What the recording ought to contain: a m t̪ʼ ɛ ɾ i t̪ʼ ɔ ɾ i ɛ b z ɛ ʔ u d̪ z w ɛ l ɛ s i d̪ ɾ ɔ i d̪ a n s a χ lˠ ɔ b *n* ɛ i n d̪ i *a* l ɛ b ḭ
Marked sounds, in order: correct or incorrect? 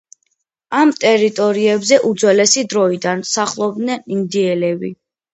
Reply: correct, incorrect

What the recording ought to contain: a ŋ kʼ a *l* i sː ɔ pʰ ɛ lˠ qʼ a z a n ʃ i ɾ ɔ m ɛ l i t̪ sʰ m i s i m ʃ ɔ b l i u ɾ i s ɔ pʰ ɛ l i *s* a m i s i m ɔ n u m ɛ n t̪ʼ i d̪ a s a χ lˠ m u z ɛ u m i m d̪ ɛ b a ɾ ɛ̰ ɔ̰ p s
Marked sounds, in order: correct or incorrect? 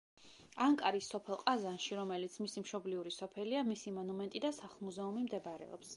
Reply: incorrect, incorrect

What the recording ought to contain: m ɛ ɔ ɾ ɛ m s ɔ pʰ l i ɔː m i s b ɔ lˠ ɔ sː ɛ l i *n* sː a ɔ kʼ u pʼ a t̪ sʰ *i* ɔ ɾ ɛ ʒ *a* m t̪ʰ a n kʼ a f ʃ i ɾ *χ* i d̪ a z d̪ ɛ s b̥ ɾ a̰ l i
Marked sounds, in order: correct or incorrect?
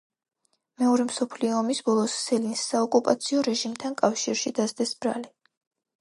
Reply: correct, correct, incorrect, incorrect

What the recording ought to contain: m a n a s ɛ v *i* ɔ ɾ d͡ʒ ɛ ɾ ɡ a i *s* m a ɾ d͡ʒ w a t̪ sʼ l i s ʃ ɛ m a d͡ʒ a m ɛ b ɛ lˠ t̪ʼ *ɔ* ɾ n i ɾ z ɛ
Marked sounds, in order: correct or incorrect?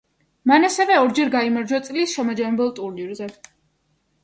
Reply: incorrect, incorrect, incorrect

